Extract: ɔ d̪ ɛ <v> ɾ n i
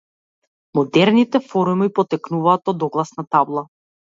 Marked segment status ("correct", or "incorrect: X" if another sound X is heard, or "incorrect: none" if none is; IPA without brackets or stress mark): incorrect: none